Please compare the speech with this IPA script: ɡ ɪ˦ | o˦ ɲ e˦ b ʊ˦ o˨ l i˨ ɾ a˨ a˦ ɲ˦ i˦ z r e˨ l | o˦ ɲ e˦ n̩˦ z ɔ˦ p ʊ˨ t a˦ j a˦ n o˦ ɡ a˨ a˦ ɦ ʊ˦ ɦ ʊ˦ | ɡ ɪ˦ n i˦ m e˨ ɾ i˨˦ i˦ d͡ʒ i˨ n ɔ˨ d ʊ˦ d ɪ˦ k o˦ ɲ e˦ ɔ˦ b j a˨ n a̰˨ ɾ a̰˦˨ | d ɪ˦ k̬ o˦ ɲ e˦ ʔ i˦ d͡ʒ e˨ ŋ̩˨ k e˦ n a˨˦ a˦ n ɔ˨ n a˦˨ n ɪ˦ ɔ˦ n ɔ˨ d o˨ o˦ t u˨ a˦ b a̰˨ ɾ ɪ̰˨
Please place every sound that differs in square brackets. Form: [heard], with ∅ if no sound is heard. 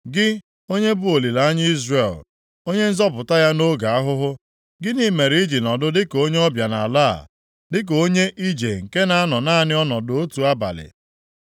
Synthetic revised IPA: ɡ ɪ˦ | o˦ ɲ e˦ b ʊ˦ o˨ l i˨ [l] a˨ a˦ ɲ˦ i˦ z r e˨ l | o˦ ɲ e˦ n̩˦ z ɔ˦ p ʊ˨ t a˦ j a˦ n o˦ ɡ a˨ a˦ ɦ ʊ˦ ɦ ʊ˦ | ɡ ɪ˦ n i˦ m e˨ ɾ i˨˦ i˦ d͡ʒ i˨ n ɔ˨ d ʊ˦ d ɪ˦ k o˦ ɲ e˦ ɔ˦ b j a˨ n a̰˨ [l] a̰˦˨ | d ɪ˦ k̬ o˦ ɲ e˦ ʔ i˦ d͡ʒ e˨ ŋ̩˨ k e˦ n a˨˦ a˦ n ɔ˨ n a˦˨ n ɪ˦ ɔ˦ n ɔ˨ d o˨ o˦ t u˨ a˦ b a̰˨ [l] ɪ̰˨